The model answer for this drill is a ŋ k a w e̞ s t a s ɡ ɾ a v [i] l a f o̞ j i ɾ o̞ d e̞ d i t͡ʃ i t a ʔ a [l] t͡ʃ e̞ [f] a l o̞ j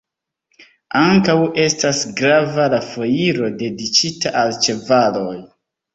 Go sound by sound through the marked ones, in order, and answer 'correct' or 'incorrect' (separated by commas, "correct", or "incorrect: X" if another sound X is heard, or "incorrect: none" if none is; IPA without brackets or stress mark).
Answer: incorrect: a, correct, incorrect: v